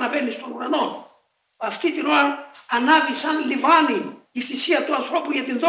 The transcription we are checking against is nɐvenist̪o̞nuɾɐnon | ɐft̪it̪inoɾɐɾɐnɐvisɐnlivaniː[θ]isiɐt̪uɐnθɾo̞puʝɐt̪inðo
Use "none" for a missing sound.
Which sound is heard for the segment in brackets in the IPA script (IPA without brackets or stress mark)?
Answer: θ